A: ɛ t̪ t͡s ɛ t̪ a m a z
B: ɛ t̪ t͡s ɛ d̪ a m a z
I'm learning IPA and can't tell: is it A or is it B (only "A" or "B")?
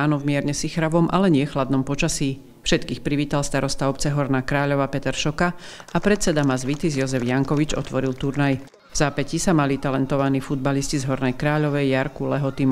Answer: B